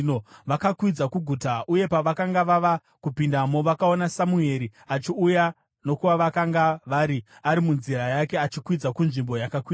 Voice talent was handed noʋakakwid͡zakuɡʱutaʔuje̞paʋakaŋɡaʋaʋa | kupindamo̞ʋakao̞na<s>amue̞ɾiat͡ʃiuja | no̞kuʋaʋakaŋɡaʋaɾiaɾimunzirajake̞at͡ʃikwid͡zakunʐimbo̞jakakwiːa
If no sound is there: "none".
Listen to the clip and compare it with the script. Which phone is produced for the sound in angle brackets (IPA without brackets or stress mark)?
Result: s